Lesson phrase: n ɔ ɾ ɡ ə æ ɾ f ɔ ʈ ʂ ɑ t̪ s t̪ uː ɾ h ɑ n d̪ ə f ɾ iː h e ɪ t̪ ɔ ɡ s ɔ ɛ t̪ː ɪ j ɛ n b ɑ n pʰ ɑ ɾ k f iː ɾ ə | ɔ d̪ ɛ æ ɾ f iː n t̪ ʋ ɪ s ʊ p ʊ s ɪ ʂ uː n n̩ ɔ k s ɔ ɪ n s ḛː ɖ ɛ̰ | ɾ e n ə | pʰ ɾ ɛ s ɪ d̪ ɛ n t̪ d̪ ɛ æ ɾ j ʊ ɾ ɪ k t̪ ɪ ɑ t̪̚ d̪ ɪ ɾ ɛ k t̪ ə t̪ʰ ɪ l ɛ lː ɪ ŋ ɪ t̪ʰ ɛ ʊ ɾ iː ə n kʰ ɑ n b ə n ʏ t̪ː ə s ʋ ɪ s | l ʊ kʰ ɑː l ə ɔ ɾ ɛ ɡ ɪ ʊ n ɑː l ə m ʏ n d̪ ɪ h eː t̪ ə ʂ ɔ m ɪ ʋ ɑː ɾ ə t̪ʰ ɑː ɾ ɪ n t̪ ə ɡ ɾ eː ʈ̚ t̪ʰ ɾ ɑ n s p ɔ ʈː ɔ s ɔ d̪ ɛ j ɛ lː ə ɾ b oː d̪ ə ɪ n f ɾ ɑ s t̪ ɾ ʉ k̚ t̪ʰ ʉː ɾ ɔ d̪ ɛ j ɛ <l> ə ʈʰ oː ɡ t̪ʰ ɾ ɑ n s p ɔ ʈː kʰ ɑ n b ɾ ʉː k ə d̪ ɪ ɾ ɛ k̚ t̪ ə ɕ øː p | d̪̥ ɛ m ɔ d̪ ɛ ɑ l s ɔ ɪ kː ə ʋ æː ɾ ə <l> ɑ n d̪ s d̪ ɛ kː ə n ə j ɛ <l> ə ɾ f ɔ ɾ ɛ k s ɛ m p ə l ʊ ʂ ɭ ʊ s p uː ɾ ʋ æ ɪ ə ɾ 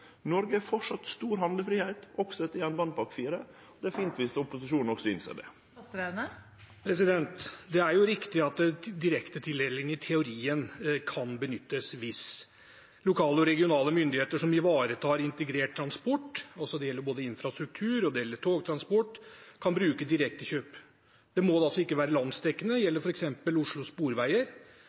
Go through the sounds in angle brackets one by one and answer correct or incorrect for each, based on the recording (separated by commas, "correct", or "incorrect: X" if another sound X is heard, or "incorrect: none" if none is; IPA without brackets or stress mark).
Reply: incorrect: lː, correct, incorrect: lː